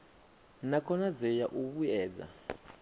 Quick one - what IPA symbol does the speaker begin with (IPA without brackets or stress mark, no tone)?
n